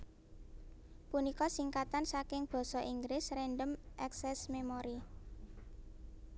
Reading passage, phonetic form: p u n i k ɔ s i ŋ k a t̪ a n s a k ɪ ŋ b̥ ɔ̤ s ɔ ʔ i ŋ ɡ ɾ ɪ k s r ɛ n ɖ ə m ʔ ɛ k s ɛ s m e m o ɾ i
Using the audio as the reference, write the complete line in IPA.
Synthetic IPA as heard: p u n i k ɔ s i ŋ k a t̪ a n s a k ɪ ŋ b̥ ɔ̤ s ɔ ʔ i ŋ ɡ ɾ ɪ s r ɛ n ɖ ə m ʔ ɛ k s ɛ s m e m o ɾ i